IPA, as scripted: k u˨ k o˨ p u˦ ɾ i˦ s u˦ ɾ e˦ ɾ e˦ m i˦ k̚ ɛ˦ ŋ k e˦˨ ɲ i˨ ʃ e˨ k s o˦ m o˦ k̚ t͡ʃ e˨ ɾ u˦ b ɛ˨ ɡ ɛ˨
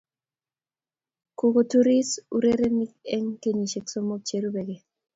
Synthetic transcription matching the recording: k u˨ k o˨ t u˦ ɾ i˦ s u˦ ɾ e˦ ɾ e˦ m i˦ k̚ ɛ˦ ŋ k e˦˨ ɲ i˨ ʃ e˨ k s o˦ m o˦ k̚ t͡ʃ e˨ ɾ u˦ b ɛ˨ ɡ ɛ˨